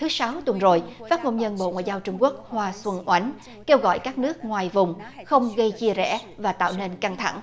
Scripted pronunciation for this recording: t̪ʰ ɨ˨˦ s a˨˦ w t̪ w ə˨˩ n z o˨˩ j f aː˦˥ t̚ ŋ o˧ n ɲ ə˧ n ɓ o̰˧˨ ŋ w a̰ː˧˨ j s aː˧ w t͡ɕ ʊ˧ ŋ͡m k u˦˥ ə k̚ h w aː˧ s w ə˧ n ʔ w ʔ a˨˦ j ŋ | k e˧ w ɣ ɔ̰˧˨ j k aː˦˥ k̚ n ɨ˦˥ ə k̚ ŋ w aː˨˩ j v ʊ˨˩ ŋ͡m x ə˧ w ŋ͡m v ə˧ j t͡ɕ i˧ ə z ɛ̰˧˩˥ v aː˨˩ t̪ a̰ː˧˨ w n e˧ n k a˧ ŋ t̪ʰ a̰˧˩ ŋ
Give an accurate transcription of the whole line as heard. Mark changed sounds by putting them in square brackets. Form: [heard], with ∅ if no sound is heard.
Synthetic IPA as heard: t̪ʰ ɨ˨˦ s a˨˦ w t̪ w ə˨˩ n z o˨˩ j f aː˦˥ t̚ ŋ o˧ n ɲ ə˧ n ɓ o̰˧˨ ŋ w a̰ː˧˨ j [z] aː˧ w t͡ɕ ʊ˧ ŋ͡m k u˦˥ ə k̚ h w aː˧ s w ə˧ n ʔ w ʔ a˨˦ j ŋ | k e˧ w ɣ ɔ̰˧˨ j k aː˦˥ k̚ n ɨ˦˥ ə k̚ ŋ w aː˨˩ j v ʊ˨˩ ŋ͡m x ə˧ w ŋ͡m [ɣ] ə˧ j t͡ɕ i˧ ə z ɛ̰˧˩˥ v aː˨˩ t̪ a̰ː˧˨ w n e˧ n k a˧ ŋ t̪ʰ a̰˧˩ ŋ